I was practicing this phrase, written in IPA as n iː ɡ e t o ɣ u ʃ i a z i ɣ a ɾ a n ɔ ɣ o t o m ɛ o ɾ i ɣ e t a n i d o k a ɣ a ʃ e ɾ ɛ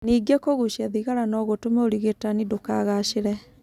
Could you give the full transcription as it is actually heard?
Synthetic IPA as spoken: n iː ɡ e k o ɣ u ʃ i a ð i ɣ a ɾ a n ɔ ɣ o t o m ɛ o ɾ i ɣ e t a n i d o k a ɣ a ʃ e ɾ ɛ